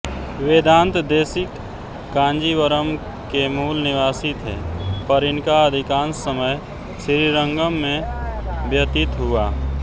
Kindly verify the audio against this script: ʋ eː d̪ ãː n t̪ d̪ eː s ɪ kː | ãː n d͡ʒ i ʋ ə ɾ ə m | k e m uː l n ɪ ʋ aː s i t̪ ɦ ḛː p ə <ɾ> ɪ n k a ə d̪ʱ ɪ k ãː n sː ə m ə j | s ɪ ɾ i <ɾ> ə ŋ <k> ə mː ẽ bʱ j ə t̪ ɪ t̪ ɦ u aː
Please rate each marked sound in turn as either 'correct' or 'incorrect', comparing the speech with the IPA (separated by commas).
correct, correct, incorrect